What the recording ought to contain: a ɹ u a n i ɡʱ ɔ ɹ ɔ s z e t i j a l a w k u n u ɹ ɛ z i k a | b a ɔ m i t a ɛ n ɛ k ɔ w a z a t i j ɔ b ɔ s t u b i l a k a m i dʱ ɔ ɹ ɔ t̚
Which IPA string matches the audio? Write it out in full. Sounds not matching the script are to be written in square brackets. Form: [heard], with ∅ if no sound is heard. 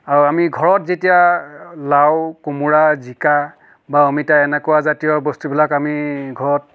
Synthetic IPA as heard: a ɹ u a [m] i ɡʱ ɔ ɹ ɔ [t] z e t i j a l a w k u [m] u ɹ [a] z i k a | b a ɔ m i t a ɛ n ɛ k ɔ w a z a t i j ɔ b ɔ s t u b i l a k a m i [ɡʱ] ɔ ɹ ɔ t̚